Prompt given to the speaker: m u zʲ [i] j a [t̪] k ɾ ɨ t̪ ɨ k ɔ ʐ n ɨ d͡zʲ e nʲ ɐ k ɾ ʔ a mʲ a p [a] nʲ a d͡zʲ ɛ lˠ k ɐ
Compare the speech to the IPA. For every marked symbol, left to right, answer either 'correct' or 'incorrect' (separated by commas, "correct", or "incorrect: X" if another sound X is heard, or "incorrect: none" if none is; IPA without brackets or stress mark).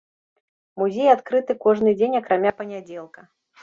incorrect: e, correct, incorrect: ɐ